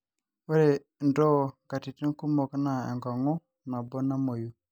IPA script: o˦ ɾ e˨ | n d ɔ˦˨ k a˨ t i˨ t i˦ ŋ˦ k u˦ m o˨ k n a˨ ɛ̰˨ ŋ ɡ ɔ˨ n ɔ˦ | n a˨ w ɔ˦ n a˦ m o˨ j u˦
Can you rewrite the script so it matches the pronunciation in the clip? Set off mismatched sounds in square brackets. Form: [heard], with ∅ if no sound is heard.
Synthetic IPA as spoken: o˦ ɾ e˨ | n d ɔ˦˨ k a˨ t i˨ t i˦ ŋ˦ k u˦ m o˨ k n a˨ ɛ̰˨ ŋ ɡ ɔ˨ [ŋ] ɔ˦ | n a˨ [b] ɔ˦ n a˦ m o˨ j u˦